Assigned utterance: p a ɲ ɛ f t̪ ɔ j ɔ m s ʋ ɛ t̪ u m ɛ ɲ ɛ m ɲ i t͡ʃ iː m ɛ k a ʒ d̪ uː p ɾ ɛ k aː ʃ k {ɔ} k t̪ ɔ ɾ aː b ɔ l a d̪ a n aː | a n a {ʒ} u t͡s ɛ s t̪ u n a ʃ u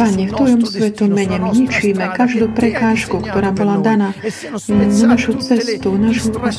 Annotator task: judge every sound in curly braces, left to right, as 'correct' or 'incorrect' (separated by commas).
incorrect, incorrect